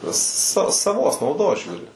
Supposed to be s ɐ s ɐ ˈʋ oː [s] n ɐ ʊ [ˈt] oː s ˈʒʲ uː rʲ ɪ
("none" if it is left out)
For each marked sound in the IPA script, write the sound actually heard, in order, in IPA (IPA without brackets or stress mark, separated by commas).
s, d